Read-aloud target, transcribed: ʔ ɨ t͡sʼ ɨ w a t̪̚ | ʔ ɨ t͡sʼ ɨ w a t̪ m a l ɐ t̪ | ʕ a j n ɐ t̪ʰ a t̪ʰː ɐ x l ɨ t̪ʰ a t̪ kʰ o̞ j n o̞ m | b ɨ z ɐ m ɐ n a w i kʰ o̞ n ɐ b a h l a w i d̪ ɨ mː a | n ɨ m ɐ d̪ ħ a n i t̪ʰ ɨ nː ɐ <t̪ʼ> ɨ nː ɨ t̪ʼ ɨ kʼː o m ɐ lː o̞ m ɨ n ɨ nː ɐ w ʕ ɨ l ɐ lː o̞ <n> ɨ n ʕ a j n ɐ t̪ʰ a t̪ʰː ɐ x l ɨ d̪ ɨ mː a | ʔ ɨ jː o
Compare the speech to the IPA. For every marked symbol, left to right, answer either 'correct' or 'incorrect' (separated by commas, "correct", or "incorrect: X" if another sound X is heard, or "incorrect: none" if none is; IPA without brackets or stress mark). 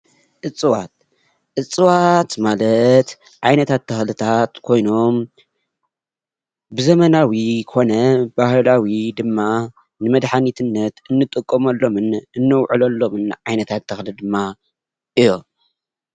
incorrect: t̪, incorrect: m